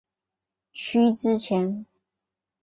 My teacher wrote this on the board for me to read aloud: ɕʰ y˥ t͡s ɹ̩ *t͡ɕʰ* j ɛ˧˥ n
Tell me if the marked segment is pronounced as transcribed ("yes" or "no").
yes